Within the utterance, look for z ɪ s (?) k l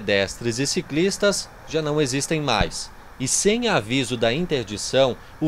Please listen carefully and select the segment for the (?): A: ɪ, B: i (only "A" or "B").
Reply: B